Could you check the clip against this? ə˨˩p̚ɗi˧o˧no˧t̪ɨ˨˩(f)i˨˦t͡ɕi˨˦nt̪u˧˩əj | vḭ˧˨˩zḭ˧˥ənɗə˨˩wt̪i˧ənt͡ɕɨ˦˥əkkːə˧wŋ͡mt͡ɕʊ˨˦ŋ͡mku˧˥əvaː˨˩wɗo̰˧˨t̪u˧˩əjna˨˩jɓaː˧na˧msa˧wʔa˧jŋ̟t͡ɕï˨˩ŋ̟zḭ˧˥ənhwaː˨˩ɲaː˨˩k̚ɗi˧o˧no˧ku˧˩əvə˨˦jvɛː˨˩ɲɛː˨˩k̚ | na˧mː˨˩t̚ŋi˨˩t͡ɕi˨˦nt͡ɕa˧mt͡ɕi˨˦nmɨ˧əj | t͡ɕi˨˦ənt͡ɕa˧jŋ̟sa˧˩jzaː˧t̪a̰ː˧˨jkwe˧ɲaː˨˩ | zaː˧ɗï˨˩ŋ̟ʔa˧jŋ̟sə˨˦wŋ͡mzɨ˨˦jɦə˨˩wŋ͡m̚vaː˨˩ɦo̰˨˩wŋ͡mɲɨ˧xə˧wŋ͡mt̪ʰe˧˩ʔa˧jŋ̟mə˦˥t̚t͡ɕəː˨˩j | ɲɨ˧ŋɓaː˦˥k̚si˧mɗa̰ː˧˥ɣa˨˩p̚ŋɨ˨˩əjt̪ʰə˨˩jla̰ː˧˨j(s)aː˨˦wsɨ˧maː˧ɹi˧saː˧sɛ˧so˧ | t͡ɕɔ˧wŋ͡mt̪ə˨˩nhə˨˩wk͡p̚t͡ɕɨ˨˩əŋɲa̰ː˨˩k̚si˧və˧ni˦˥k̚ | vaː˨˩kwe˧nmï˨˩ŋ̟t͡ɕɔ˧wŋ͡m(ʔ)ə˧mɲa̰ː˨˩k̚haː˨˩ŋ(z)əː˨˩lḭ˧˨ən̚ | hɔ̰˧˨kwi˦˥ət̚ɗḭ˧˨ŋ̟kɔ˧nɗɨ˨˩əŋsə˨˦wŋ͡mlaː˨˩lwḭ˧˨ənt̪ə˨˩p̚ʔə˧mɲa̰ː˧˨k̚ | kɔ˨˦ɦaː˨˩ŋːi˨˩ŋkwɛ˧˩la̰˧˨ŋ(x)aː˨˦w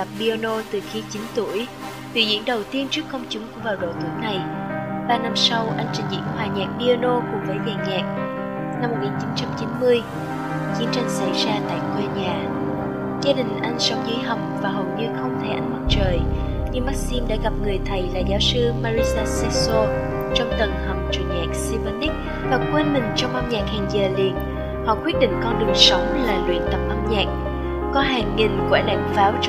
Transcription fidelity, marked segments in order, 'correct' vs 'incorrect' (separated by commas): incorrect, incorrect, correct, correct, incorrect